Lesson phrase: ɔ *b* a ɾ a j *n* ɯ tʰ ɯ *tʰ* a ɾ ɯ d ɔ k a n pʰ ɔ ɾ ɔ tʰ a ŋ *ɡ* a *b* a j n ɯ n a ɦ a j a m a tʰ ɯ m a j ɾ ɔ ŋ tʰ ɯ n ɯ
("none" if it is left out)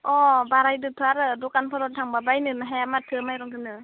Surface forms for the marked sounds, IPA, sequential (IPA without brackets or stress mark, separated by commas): b, d, none, b, b